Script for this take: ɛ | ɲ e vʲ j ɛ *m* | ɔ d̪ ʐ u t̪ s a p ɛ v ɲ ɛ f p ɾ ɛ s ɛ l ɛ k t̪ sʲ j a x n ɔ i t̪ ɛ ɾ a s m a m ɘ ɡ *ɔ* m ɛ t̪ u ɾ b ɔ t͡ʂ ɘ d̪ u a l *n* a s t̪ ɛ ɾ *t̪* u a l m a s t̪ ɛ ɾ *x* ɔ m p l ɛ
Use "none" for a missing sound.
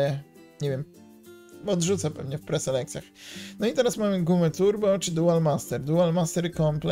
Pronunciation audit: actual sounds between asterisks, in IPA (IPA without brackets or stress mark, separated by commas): m, u, m, d̪, k